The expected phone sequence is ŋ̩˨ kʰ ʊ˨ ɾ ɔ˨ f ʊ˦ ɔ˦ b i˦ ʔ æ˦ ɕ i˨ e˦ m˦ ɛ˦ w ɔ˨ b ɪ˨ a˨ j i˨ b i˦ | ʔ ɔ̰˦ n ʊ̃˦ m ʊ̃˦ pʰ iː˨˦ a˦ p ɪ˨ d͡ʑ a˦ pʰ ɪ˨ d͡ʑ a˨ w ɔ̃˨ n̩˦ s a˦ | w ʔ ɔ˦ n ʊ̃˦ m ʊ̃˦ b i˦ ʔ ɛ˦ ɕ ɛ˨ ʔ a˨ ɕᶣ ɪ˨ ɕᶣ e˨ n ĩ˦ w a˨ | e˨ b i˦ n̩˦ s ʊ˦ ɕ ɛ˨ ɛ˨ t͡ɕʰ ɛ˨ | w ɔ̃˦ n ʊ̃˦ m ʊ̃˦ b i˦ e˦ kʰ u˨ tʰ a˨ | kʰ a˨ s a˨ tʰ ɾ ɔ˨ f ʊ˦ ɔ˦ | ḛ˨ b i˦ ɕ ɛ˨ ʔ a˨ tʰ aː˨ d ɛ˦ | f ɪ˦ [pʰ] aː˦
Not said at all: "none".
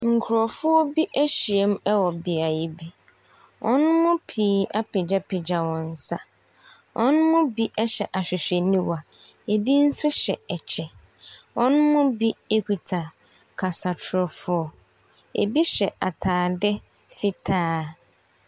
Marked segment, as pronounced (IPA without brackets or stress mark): tʰ